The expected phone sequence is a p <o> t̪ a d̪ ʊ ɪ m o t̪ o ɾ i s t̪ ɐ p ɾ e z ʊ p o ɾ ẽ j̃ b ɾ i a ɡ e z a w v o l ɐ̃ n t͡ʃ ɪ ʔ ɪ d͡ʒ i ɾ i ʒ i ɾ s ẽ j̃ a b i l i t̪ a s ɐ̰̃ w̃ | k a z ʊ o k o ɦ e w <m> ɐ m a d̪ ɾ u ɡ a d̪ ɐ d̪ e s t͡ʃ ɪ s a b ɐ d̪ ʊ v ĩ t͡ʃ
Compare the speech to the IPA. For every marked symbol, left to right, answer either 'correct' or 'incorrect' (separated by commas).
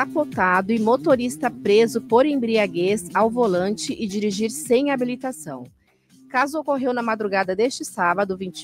correct, incorrect